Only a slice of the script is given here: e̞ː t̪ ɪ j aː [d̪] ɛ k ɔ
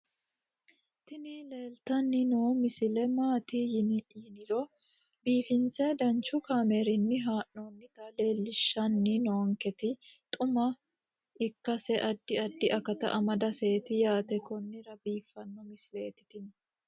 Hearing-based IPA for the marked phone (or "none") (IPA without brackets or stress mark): t̪